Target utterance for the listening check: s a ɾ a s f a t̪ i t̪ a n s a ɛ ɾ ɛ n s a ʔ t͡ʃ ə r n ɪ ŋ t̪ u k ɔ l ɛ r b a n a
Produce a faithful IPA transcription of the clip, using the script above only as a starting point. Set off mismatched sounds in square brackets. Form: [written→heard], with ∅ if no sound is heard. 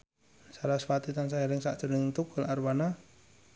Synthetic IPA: s a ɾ a s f a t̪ i t̪ a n s a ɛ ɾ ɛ [n→ŋ] s a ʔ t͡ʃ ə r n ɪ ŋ t̪ u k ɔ l [ɛ→a] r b a n a